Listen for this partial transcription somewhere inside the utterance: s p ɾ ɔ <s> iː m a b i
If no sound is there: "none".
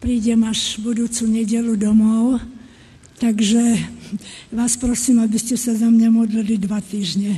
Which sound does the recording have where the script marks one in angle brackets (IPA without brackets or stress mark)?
s